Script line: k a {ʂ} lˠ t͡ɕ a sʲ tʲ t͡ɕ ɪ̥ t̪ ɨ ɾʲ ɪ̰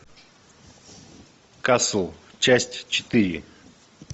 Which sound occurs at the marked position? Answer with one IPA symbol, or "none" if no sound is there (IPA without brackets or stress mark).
s